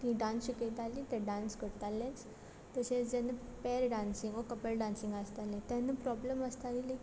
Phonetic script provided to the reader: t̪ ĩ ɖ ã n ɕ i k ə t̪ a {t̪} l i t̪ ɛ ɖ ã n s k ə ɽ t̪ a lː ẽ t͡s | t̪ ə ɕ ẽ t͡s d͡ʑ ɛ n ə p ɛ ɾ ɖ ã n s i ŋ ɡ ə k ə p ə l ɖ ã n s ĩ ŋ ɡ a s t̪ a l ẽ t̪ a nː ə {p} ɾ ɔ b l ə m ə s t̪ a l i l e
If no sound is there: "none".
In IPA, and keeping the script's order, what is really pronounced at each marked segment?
none, p

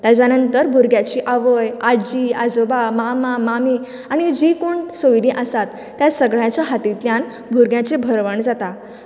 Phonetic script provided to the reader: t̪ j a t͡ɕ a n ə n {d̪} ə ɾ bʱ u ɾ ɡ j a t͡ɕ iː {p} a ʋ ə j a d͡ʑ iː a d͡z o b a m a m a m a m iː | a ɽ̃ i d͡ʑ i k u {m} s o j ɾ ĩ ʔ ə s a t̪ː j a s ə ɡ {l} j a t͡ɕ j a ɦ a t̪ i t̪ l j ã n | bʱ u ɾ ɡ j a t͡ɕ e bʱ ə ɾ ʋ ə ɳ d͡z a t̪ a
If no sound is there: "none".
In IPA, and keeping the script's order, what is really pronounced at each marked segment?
t̪, ʔ, ɳ, ɭ

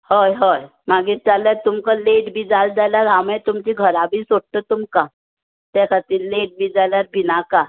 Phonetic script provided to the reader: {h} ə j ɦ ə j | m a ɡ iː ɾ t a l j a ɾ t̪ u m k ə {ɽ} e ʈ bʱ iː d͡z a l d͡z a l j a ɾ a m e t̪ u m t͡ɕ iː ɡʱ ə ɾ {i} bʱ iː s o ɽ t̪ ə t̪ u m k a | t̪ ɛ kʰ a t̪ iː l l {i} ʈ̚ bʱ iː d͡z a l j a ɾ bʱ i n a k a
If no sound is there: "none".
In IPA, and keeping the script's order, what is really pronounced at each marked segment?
h, l, a, e

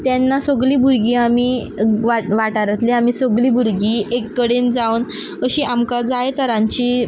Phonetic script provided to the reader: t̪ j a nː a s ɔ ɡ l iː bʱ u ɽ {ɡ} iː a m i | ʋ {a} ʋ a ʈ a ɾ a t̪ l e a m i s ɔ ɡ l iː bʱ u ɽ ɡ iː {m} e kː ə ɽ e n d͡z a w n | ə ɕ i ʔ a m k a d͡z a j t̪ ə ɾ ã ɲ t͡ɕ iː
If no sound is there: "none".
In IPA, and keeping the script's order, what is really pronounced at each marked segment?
ɡ, a, none

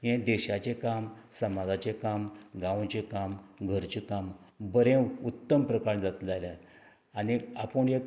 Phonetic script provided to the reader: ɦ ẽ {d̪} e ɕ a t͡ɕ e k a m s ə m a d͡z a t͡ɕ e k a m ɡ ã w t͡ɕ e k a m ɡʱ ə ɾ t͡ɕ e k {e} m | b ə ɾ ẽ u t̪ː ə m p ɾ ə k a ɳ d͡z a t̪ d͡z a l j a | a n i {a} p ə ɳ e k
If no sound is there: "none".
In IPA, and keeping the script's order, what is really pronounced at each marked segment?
d̪, a, a

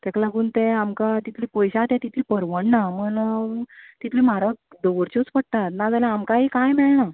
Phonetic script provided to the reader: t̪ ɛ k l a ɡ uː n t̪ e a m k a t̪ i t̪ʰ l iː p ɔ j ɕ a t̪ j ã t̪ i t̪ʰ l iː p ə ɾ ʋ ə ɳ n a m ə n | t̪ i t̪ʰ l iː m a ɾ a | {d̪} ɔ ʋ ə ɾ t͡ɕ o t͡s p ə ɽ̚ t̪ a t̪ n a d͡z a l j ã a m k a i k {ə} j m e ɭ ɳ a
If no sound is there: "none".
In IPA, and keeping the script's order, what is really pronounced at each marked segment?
d̪, a

